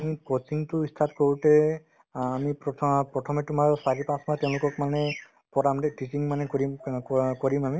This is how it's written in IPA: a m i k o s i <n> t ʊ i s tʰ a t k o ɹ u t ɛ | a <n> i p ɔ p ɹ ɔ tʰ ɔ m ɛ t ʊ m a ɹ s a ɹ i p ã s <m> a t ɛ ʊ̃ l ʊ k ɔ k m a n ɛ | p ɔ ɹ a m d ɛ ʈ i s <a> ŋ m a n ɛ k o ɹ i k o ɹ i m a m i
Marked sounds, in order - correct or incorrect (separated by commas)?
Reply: incorrect, incorrect, correct, incorrect